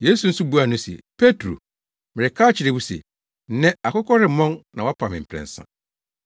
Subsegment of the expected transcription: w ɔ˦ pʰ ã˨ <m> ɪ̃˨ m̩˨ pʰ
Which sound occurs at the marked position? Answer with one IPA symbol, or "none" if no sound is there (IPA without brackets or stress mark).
m